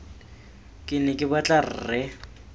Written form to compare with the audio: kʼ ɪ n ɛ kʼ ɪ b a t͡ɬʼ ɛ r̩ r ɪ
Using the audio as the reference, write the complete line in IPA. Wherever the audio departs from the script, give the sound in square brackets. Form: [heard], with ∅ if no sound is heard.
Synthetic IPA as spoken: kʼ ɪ n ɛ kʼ ɪ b a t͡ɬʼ [a] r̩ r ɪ